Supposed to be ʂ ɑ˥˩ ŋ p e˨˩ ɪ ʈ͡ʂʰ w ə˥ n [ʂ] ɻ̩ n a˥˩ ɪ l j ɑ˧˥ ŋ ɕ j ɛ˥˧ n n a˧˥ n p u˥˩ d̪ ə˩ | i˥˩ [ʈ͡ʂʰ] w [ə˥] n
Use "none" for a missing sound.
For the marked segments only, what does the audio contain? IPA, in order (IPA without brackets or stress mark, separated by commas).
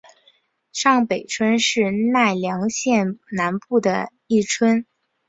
ʂ, ʈ͡ʂʰ, ə˥